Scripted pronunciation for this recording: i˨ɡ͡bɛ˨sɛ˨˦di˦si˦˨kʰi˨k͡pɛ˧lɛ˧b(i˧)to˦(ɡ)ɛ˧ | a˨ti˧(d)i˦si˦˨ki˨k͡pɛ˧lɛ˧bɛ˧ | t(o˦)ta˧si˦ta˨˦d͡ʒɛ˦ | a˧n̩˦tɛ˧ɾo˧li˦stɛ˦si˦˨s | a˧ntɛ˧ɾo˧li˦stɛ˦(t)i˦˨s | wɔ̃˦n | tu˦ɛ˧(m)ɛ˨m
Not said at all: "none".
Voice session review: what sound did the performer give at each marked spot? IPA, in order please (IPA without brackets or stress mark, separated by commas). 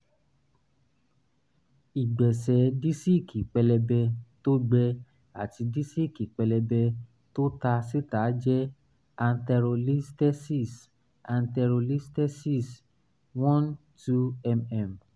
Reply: ɛ˧, ɡ͡b, d, o˦, s, m